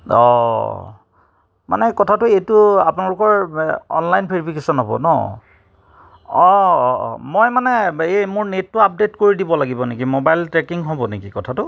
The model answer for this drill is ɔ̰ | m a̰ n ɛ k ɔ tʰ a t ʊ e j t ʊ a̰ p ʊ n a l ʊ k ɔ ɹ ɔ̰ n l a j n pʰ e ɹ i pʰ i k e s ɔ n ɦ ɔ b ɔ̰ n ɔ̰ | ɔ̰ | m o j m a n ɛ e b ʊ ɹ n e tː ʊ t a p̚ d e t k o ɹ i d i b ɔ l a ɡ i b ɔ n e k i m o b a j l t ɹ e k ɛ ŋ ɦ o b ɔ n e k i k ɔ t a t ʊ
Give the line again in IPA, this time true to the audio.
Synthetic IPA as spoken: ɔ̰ | m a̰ n ɛ k ɔ tʰ a t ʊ e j t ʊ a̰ p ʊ n a l ʊ k ɔ ɹ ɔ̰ n l a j n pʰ e ɹ i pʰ i k e s ɔ n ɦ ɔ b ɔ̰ n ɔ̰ | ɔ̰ | m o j m a n ɛ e m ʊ ɹ n e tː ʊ a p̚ d e t k o ɹ i d i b ɔ l a ɡ i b ɔ n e k i m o b a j l t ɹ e k i ŋ ɦ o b ɔ n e k i k ɔ tʰ a t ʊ